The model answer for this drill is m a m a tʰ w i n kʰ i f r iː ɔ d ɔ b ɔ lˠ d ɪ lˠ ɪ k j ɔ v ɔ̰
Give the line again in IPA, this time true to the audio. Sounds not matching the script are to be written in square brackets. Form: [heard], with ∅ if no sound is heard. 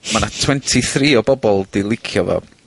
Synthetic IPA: m a [n] a tʰ w [ɛ] n [tʰ] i [θ] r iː ɔ [b] ɔ b ɔ lˠ d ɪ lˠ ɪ [kʰ] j ɔ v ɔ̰